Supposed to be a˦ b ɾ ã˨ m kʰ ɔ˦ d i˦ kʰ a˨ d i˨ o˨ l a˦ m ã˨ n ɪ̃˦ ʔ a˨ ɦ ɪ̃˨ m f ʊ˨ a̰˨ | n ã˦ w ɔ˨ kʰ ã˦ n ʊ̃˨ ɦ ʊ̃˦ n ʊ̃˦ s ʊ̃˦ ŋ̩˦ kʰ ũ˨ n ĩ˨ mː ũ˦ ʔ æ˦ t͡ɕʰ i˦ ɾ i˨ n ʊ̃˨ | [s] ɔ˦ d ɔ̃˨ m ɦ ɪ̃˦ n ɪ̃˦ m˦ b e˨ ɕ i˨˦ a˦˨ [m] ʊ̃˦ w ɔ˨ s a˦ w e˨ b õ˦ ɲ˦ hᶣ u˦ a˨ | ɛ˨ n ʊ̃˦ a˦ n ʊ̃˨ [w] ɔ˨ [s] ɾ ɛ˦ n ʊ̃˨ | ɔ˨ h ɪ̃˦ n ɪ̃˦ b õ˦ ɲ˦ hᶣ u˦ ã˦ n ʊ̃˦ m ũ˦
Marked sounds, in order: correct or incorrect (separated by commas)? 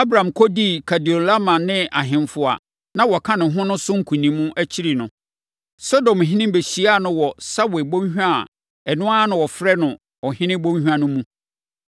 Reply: correct, incorrect, correct, incorrect